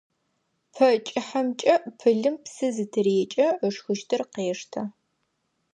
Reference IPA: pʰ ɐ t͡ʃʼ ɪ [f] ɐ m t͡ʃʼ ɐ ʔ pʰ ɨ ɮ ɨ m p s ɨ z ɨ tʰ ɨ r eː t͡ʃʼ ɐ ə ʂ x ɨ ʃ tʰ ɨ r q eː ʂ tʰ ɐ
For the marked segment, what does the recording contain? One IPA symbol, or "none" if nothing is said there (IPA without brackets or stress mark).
ħ